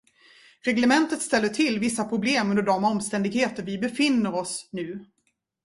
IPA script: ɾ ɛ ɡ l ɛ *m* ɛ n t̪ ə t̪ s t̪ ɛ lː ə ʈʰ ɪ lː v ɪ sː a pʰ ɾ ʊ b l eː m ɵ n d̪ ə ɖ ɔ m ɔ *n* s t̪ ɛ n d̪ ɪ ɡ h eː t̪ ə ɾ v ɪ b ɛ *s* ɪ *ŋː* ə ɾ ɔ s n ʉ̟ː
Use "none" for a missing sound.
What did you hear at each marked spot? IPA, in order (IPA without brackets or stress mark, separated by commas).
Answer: m, m, f, nː